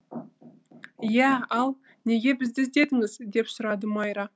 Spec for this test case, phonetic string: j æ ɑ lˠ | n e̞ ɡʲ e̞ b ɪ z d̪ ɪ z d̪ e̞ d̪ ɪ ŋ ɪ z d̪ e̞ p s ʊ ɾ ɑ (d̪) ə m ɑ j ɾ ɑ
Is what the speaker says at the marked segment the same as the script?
yes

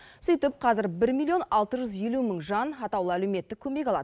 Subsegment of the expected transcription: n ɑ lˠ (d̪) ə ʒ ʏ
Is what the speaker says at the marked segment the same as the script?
no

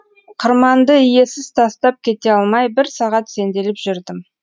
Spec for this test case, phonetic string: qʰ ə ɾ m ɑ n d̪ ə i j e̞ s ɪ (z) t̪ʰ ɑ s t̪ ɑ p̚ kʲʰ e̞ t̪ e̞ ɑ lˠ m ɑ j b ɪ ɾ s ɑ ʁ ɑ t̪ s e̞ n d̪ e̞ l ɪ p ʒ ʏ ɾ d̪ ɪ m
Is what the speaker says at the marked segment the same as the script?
yes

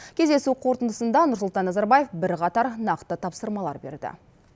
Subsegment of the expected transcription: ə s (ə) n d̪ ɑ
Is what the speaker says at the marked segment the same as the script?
yes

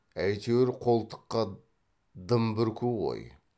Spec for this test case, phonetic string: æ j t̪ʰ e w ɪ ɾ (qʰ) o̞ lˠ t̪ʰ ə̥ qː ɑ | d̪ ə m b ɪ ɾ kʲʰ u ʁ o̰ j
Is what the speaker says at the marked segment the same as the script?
yes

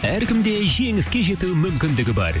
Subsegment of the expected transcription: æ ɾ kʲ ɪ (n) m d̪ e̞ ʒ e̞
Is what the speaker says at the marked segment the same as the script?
no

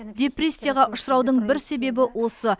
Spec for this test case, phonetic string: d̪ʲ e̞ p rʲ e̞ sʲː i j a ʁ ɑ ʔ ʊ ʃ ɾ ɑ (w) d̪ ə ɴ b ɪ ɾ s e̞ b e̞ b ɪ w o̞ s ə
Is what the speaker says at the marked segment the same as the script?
yes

